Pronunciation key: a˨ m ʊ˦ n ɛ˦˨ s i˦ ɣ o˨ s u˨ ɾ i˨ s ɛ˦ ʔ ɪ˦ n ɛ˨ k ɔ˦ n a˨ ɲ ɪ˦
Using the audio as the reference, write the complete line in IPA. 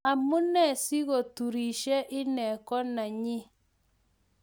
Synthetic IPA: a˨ m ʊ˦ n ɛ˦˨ s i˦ ɣ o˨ t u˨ ɾ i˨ ʃ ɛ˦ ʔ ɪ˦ n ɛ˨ k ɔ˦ n a˨ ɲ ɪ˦